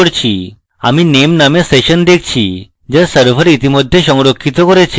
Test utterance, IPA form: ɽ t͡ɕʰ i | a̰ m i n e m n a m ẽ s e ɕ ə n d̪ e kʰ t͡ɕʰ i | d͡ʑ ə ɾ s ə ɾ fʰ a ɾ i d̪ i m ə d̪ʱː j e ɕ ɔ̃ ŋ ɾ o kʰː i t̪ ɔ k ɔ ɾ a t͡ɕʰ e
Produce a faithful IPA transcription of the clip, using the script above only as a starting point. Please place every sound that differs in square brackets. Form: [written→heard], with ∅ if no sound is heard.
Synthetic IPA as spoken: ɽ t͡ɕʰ i | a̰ m i n e m n a m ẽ s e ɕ ə n d̪ e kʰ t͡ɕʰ i | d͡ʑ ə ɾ s ə ɾ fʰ [a→ə] ɾ i [d̪→t̪] i m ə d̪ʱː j e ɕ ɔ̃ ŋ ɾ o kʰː i t̪ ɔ k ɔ ɾ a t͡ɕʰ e